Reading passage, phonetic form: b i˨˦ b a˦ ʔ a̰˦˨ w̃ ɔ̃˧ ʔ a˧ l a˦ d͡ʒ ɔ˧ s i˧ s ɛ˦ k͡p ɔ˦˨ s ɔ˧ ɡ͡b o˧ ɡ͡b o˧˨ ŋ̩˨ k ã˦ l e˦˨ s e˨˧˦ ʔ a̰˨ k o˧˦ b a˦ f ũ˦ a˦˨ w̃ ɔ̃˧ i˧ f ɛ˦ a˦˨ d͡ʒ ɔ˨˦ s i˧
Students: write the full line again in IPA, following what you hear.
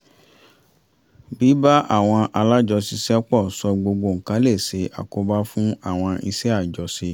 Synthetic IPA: b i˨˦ b a˦ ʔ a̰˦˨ w̃ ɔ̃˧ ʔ a˧ l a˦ d͡ʒ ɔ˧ s i˧ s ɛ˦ k͡p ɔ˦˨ s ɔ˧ ɡ͡b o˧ ɡ͡b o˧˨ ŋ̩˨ k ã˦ l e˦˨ s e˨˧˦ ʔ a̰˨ k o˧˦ b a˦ f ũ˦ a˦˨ w̃ ɔ̃˧ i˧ s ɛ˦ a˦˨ d͡ʒ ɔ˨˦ s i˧